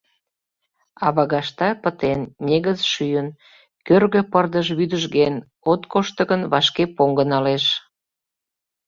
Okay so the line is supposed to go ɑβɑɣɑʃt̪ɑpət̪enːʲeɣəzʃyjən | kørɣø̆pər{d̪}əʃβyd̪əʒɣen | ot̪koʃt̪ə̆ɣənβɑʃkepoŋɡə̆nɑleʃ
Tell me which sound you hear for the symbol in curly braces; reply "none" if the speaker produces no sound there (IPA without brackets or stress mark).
d̪